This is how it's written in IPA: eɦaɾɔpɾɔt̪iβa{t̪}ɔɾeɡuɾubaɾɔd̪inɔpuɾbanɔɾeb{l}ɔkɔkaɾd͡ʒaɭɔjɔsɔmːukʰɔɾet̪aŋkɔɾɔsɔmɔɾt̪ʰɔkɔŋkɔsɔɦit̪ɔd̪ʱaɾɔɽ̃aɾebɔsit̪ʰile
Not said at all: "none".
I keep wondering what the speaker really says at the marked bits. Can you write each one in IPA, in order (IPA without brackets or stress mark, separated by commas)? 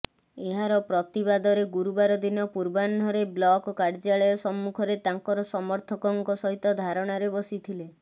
d̪, l